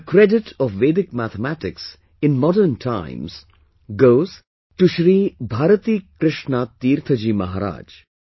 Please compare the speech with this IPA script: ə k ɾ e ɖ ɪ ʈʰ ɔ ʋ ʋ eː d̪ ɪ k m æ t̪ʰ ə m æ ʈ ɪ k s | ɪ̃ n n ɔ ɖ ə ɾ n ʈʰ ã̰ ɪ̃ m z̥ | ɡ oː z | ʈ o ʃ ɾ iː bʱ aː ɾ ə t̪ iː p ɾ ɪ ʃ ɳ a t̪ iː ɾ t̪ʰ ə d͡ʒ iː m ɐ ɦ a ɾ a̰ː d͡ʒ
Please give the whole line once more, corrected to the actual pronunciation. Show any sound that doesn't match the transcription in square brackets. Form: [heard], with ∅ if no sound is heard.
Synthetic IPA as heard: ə k ɾ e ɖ ɪ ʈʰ ɔ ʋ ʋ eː d̪ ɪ k m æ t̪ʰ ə m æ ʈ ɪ k s | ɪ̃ n [m] ɔ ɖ ə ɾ n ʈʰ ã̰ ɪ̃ m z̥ | ɡ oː z | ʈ [u] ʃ ɾ iː bʱ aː ɾ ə t̪ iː [k] ɾ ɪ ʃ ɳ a t̪ iː ɾ t̪ʰ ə d͡ʒ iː m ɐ ɦ a ɾ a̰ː d͡ʒ